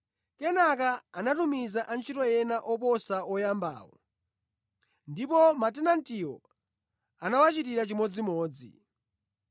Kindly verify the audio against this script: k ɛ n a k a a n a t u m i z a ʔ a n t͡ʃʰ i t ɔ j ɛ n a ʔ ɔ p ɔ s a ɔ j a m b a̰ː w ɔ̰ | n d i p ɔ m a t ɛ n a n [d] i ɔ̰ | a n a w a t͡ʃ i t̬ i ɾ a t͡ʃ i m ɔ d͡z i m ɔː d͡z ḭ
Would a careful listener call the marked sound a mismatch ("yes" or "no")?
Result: yes